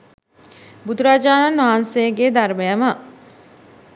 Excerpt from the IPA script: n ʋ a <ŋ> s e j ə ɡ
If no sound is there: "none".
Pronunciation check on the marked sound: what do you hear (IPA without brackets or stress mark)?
n